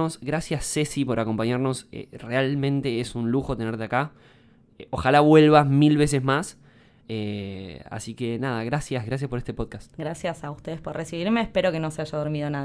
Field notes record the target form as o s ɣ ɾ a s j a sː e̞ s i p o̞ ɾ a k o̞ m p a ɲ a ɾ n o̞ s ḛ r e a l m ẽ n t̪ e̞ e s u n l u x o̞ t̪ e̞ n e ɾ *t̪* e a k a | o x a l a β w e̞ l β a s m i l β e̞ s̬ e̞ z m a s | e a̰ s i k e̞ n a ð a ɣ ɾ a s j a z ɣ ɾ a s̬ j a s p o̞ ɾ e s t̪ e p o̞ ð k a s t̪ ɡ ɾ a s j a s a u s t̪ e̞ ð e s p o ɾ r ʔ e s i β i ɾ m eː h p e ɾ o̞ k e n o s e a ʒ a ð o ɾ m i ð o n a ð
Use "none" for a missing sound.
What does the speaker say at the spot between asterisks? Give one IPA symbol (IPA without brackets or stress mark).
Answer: t̪